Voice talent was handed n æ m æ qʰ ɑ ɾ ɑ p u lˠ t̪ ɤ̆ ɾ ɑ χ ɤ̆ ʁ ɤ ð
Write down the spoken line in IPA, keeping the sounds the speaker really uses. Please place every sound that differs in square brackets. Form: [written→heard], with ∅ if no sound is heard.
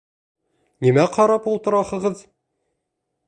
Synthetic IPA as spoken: n [æ→i] m æ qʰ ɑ ɾ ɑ p u lˠ t̪ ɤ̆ ɾ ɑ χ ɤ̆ ʁ ɤ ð